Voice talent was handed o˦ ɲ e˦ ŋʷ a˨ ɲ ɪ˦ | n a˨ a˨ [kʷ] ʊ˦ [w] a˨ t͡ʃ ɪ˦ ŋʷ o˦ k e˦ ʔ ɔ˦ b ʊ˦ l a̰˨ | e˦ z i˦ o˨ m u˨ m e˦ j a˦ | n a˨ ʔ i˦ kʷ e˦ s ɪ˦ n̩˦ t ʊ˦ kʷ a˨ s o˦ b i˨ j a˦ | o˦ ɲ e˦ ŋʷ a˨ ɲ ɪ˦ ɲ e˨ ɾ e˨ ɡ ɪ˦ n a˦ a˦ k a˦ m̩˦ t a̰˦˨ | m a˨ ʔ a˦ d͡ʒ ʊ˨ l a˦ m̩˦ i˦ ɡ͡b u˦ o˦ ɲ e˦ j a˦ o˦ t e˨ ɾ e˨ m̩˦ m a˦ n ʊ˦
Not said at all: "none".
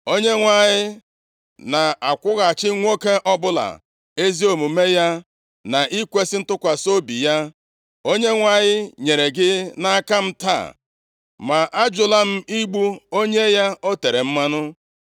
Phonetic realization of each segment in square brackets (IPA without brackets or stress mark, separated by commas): kʷ, ɣ